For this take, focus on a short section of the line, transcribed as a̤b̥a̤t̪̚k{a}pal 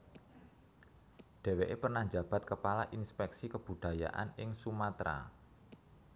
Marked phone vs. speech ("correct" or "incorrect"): incorrect